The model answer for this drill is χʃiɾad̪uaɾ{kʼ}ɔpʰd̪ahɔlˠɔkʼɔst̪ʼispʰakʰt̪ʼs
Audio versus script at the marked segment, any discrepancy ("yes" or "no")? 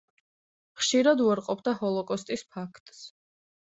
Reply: yes